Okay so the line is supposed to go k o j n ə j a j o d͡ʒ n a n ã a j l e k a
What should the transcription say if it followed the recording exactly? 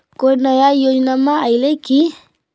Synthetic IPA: k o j n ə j a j o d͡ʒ n a m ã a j l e k i